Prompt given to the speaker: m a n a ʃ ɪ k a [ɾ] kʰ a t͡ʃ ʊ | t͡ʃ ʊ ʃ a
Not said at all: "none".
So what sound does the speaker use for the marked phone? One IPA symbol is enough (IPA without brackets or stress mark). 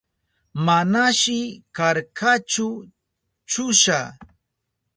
ɾ